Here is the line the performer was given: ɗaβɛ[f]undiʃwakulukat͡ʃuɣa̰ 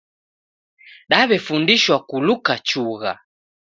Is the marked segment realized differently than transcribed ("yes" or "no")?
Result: no